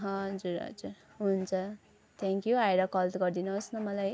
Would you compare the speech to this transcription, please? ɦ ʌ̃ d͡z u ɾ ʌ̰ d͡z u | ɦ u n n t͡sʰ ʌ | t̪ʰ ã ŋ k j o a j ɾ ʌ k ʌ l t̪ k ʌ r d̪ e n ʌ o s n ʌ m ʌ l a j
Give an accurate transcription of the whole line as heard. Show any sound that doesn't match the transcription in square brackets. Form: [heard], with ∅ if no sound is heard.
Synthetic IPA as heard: ɦ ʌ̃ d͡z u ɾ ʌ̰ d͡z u | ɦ u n n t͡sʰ ʌ | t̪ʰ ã ŋ k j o a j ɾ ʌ k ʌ l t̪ [ɡ] ʌ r d̪ [i] n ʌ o s n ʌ m ʌ l a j

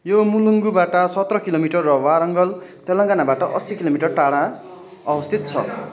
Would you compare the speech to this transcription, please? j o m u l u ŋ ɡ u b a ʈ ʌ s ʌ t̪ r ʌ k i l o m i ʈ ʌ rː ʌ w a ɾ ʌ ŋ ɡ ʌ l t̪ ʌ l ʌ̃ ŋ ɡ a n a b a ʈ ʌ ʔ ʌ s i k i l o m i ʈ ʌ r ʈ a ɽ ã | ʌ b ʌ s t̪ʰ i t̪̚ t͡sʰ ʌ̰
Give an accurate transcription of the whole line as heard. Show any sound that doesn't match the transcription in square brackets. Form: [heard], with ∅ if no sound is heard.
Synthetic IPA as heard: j o m u l u ŋ ɡ u b a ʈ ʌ s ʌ t̪ r ʌ k i l o m i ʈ ʌ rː ʌ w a ɾ ʌ ŋ ɡ ʌ l t̪ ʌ l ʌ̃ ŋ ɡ a n a b a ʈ ʌ ʔ ʌ s i k i l o m i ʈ ʌ r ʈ a ɽ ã | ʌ b ʌ s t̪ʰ i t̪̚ t͡sʰ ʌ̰

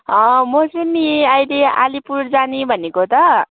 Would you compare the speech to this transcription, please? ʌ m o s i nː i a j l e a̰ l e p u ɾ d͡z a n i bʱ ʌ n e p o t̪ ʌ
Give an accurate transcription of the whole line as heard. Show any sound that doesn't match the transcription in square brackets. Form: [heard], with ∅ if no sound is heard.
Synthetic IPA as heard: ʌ m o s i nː i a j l e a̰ l [i] p u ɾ d͡z a n i bʱ ʌ n e [k] o t̪ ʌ

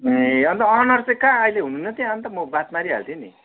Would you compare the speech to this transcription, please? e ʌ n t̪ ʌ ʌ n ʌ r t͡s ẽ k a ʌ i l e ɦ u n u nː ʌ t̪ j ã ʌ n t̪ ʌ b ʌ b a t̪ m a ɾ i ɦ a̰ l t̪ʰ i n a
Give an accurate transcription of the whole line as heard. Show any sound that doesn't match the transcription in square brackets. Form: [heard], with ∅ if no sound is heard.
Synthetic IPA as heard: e ʌ n t̪ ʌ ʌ n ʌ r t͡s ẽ k a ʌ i l e ɦ u n u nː ʌ t̪ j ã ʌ n t̪ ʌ [m] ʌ b a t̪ m a ɾ i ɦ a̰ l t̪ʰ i n [i]

